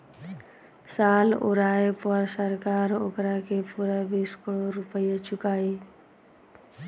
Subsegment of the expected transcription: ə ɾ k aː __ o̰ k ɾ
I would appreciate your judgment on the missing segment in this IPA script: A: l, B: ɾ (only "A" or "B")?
B